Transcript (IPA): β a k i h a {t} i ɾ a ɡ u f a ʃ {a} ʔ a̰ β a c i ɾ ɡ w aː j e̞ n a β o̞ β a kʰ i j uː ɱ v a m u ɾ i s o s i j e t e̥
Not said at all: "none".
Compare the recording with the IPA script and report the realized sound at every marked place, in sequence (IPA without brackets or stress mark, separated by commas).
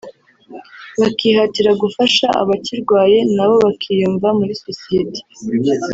t, a